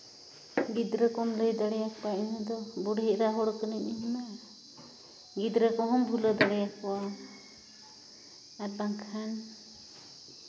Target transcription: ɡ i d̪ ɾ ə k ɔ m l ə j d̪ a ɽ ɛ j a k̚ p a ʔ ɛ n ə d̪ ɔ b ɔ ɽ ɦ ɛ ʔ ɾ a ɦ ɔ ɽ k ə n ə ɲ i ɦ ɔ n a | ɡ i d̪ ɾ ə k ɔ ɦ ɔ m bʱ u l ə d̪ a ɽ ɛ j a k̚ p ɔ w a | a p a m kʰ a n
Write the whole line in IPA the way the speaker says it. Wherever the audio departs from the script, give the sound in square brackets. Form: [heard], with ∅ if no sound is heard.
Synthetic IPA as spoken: ɡ i d̪ ɾ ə k ɔ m l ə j d̪ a ɽ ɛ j a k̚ p a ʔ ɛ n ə d̪ ɔ b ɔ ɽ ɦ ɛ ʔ ɾ a ɦ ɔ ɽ k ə n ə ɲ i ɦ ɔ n a | ɡ i d̪ ɾ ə k ɔ ɦ ɔ m bʱ u l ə d̪ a ɽ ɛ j a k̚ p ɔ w a | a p a [ŋ] kʰ a n